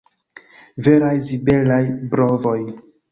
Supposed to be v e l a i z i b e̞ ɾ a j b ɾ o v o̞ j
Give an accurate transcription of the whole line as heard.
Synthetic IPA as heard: v e ɾ a j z i b e̞ l a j b ɾ o v o̞ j